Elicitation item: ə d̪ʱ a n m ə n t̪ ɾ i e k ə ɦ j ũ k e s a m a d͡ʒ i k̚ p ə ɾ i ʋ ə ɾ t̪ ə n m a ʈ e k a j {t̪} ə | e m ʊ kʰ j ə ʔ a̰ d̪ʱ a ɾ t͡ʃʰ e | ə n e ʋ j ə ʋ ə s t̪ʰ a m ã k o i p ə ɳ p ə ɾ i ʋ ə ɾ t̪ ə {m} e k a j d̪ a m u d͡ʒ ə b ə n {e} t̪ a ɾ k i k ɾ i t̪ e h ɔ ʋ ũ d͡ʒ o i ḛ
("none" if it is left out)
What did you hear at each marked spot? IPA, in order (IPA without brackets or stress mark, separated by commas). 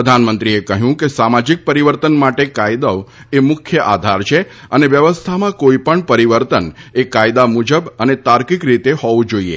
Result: d̪, n, e